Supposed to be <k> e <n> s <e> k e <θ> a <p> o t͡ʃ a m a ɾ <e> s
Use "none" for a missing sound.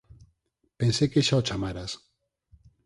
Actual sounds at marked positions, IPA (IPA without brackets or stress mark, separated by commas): p, n, e, ʃ, none, a